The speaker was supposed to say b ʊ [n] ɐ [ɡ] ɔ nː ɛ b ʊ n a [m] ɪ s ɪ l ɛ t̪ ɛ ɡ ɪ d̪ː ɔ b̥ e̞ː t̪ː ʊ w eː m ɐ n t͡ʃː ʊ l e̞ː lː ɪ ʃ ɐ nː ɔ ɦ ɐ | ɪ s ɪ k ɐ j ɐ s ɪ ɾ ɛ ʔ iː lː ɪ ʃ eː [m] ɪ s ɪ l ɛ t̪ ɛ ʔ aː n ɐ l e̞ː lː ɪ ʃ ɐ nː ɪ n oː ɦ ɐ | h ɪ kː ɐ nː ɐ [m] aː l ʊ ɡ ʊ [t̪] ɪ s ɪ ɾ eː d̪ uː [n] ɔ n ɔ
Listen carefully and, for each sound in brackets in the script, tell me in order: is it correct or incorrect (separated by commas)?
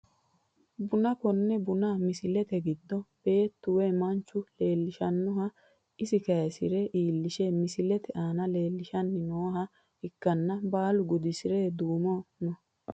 correct, incorrect, correct, correct, incorrect, incorrect, incorrect